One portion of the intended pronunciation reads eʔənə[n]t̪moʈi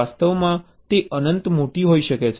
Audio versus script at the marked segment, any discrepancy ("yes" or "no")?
no